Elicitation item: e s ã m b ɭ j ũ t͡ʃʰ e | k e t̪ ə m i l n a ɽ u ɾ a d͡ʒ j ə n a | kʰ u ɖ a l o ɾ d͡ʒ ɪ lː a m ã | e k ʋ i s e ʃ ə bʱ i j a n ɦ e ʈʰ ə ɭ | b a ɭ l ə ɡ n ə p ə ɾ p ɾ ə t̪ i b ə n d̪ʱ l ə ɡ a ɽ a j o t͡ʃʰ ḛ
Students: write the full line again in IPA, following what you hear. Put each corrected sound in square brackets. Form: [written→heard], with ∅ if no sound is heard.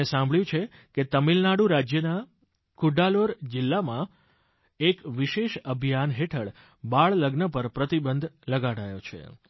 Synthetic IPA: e s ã m b ɭ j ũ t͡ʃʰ e | k e t̪ ə m i l n a ɽ u ɾ a d͡ʒ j ə n a | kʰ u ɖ a l o ɾ d͡ʒ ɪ lː a m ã | e k ʋ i [s→ʃ] e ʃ ə bʱ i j a n ɦ e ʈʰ ə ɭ | b a ɭ l ə ɡ n ə p ə ɾ p ɾ ə t̪ i b ə n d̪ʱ l ə ɡ a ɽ a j o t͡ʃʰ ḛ